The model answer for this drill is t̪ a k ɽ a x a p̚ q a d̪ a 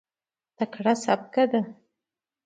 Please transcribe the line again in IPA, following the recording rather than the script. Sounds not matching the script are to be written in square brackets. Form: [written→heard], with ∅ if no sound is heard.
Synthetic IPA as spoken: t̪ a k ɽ a [x→s] a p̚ [q→k] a d̪ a